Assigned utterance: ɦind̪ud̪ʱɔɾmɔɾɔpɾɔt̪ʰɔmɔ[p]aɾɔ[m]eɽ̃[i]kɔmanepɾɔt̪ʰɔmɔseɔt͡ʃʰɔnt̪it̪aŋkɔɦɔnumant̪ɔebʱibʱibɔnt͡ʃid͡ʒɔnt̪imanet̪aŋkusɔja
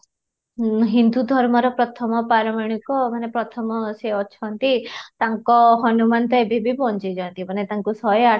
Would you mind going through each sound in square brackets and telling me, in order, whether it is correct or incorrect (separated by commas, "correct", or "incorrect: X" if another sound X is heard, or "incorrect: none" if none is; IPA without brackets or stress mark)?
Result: correct, correct, correct